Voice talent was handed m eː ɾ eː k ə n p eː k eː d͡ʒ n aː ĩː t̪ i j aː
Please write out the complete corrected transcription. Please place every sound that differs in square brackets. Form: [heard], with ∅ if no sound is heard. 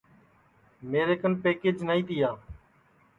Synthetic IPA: m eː ɾ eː k ə n p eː k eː d͡ʒ n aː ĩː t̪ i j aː